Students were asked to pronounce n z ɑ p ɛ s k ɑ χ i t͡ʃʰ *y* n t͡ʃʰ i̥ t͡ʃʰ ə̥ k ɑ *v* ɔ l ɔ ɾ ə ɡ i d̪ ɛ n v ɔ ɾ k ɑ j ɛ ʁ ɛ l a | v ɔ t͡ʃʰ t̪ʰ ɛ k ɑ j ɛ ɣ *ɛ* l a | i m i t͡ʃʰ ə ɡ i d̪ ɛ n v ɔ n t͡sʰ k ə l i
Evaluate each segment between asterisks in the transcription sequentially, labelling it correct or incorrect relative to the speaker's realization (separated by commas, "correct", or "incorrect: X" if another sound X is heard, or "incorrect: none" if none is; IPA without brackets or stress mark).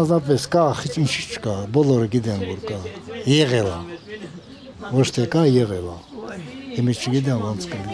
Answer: incorrect: i, incorrect: b, correct